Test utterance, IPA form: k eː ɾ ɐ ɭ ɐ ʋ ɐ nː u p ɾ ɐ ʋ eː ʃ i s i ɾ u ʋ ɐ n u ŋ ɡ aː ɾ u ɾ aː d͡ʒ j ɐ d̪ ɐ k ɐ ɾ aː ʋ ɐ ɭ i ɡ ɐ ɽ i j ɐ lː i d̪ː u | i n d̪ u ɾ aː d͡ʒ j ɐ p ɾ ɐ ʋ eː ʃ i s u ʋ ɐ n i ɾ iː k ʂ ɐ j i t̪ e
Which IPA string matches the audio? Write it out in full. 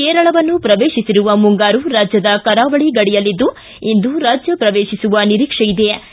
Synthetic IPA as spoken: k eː ɾ ɐ ɭ ɐ ʋ ɐ nː u p ɾ ɐ ʋ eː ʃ i s i ɾ u ʋ ɐ m u ŋ ɡ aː ɾ u ɾ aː d͡ʒ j ɐ d̪ ɐ k ɐ ɾ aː ʋ ɐ ɭ i ɡ ɐ ɽ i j ɐ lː i d̪ː u | i n d̪ u ɾ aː d͡ʒ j ɐ p ɾ ɐ ʋ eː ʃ i s u ʋ ɐ n i ɾ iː k ʂ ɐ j i d̪ e